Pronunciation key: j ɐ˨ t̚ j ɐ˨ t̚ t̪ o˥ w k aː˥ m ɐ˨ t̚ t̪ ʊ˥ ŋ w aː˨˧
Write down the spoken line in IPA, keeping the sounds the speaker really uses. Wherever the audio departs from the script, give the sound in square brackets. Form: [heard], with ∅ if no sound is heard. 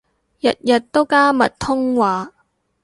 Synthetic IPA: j ɐ˨ t̚ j ɐ˨ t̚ t̪ o˥ w k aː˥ m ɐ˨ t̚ [t̪ʰ] ʊ˥ ŋ w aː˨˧